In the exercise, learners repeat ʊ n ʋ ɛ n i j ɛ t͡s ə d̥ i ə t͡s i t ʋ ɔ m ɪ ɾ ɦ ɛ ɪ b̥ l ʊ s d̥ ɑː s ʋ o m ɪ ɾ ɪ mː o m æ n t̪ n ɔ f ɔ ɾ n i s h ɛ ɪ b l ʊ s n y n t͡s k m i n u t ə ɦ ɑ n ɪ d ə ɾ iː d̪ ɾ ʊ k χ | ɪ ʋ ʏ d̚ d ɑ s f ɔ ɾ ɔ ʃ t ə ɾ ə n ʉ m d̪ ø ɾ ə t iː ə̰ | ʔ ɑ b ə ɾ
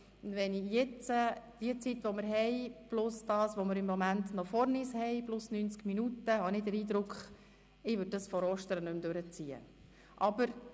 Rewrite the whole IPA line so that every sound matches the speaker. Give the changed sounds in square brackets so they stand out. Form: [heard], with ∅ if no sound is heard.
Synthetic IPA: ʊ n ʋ ɛ n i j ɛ t͡s ə d̥ i ə t͡s i t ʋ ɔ m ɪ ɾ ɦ ɛ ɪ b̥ l ʊ s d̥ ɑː s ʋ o m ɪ ɾ ɪ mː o m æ n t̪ n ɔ f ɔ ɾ n i s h ɛ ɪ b l ʊ s n y n t͡s k m i n u t ə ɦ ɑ n ɪ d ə ɾ iː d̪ ɾ ʊ k χ | ɪ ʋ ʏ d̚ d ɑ s f ɔ ɾ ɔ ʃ t ə ɾ ə n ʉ m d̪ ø ɾ ə [t͡s] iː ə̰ | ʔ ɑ b ə ɾ